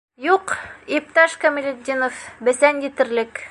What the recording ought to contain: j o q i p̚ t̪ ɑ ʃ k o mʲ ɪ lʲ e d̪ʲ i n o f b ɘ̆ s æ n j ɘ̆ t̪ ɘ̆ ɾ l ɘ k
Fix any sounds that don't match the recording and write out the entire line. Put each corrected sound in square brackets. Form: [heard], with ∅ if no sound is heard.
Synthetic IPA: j [u] q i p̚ t̪ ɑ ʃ k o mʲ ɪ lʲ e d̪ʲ i n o f b ɘ̆ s æ n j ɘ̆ t̪ ɘ̆ ɾ l ɘ k